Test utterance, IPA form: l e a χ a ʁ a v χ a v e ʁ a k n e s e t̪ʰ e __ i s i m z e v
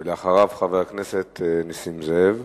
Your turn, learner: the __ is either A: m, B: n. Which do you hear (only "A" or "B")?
B